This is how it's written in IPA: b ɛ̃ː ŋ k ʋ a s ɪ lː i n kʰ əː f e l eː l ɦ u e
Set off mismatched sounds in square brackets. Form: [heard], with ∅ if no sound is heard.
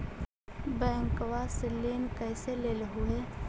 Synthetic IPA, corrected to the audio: b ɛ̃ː ŋ k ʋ a s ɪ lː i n [k] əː [s] e l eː l ɦ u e